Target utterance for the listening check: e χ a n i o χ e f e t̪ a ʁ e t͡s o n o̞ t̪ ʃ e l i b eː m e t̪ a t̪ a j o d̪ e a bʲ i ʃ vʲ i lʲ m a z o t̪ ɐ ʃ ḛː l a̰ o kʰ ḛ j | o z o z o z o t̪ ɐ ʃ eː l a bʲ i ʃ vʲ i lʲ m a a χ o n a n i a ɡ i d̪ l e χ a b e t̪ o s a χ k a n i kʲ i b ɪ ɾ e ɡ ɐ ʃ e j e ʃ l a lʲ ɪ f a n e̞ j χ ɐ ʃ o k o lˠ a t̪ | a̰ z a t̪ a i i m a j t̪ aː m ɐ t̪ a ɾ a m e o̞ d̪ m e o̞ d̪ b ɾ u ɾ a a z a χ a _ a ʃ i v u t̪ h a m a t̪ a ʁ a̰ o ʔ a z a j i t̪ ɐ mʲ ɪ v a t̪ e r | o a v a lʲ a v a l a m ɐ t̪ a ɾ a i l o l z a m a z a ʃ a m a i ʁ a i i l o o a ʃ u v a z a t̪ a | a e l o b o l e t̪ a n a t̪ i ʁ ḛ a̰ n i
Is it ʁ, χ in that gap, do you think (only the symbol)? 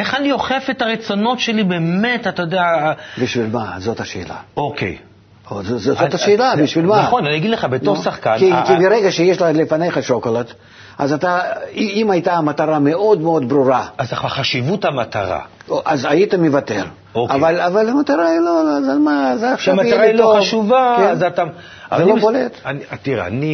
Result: χ